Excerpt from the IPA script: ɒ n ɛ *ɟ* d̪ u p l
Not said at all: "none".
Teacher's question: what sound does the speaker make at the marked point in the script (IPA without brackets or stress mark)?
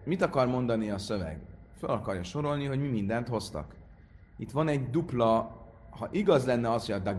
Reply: ɟ